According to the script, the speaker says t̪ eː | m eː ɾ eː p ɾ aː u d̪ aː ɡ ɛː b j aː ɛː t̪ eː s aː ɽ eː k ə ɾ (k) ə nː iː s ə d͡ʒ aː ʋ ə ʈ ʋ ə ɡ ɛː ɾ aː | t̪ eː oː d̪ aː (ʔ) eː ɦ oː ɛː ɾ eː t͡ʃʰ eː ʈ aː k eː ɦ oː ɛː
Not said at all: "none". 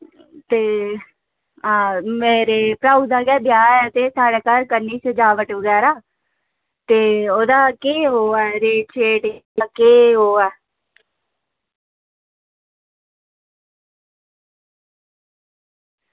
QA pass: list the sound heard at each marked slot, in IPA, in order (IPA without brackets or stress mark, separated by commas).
k, k